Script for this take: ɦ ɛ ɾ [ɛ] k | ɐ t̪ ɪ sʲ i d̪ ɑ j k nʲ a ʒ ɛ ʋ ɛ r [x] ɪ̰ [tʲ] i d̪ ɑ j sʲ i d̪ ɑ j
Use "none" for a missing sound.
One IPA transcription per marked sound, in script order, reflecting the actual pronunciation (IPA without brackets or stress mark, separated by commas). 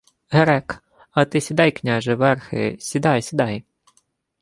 ɛ, x, sʲ